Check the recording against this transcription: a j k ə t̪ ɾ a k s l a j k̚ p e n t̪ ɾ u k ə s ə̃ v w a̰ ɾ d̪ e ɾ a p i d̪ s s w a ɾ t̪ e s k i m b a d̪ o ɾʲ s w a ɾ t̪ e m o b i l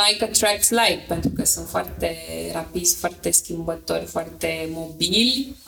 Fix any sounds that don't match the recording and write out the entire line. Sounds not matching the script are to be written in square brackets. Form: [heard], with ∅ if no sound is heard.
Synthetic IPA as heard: a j k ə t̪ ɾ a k s l a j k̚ p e n t̪ ɾ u k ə s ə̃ [f] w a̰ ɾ [t̪] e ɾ a p i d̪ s [f] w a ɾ t̪ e s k i m b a [t̪] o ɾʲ [f] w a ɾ t̪ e m o b i l